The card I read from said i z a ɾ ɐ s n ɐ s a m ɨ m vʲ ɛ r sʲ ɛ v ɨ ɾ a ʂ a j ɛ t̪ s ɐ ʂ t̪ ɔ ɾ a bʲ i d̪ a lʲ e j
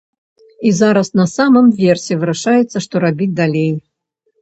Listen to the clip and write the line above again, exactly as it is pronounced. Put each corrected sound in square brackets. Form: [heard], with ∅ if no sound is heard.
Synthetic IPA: i z a ɾ ɐ s n ɐ s a m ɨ m vʲ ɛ r sʲ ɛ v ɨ ɾ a ʂ a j ɛ t̪ [sː] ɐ ʂ t̪ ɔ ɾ a bʲ i d̪ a lʲ e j